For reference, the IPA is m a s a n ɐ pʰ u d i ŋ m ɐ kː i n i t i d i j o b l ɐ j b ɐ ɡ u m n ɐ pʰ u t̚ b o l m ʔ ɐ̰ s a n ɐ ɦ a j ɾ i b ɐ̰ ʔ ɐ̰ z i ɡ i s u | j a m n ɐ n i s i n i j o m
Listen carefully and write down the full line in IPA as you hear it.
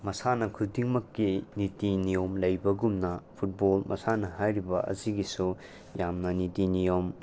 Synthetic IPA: m ɐ s a n ɐ kʰ u d i ŋ m ɐ kː i n i t i n i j o m l ɐ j b ɐ ɡ u m n ɐ pʰ u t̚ b o l m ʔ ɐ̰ s a n ɐ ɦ a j ɾ i b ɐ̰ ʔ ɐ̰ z i ɡ i s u | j a m n ɐ n i t i n i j o m